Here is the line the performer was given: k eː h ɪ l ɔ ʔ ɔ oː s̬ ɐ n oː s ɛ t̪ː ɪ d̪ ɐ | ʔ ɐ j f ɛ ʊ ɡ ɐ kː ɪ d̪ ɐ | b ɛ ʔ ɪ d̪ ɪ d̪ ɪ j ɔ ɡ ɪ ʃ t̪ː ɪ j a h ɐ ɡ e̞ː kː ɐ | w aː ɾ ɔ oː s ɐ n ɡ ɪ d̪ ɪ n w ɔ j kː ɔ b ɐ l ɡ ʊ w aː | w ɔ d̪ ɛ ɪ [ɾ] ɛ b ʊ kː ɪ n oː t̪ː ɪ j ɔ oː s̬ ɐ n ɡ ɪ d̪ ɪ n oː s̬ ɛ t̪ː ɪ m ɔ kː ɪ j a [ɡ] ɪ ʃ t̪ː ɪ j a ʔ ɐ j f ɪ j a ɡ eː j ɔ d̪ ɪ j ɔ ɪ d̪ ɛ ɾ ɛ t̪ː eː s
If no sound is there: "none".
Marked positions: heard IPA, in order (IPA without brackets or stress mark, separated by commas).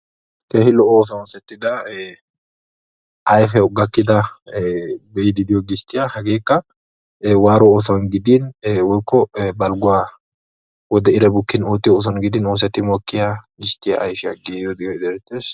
ɾ, ɡ